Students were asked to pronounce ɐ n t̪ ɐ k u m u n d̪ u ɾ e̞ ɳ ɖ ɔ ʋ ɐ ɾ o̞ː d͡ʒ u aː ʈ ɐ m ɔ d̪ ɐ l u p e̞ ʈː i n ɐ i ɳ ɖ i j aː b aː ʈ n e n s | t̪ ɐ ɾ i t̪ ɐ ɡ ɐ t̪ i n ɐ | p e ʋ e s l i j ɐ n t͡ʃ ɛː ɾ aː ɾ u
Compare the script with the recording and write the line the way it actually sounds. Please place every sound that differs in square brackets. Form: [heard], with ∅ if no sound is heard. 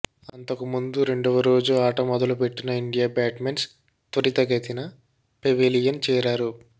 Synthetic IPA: ɐ n t̪ ɐ k u m u n d̪ u ɾ e̞ ɳ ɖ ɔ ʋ ɐ ɾ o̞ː d͡ʒ u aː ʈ ɐ m ɔ d̪ ɐ l u p e̞ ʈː i n ɐ i ɳ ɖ i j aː b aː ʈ [m] e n s | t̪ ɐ ɾ i t̪ ɐ ɡ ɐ t̪ i n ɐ | p e ʋ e [∅] l i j ɐ n t͡ʃ ɛː ɾ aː ɾ u